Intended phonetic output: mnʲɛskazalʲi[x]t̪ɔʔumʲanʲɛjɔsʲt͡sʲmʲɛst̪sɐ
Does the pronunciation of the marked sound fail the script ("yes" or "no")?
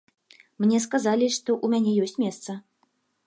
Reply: yes